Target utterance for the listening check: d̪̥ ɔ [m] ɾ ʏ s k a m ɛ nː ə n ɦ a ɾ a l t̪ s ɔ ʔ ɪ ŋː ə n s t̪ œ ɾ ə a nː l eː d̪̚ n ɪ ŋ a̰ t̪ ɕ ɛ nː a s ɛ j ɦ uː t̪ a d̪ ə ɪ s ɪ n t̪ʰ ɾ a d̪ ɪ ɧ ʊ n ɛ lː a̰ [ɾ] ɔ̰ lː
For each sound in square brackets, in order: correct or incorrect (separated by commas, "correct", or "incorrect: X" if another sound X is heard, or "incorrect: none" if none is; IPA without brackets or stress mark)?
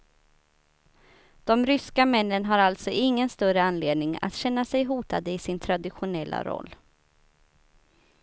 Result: correct, correct